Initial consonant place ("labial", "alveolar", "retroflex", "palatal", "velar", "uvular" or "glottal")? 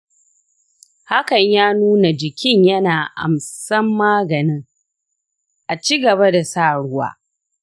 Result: glottal